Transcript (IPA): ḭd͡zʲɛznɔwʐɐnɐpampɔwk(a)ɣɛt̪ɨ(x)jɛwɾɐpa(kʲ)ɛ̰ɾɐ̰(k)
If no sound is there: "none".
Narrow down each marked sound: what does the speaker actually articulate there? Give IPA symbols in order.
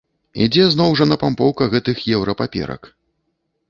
ɐ, x, pʲ, k

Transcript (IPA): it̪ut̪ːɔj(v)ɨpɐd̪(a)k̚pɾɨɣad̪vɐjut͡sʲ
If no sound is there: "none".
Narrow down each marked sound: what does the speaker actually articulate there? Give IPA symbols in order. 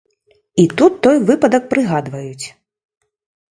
v, ɐ

